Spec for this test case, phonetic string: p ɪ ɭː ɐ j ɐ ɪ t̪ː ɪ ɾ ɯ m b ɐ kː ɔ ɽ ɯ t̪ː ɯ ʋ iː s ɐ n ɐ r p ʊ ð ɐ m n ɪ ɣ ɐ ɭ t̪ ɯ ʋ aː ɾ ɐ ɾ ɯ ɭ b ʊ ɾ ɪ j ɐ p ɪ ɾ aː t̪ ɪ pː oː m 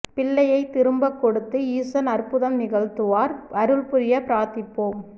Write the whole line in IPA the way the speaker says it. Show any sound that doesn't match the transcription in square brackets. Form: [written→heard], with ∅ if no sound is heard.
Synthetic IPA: p ɪ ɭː ɐ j ɐ ɪ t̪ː ɪ ɾ ɯ m b ɐ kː ɔ ɽ ɯ t̪ː ɯ [ʋ→∅] iː s ɐ n ɐ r p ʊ ð ɐ m n ɪ ɣ ɐ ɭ t̪ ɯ ʋ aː ɾ ɐ ɾ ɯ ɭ [b→p] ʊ ɾ ɪ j ɐ p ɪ ɾ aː t̪ ɪ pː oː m